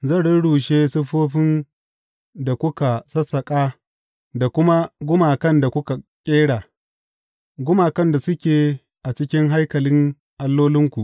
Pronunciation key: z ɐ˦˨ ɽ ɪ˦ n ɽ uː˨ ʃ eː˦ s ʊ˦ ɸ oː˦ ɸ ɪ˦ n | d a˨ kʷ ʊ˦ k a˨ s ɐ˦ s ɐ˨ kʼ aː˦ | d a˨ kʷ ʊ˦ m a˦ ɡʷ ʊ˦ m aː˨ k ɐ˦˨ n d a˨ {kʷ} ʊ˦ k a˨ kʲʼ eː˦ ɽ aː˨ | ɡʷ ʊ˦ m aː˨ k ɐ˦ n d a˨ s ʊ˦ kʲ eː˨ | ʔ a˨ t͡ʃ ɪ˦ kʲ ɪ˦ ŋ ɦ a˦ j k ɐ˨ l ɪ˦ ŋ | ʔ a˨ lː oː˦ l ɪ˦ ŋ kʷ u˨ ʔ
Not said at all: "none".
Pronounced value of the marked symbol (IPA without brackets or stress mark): kʷ